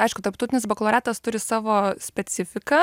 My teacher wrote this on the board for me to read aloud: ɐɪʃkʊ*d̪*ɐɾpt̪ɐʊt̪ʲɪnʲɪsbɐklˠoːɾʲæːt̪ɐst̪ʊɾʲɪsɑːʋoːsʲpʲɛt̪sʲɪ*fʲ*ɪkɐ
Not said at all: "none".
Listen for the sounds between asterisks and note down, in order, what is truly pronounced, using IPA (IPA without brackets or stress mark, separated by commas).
t̪, fʲ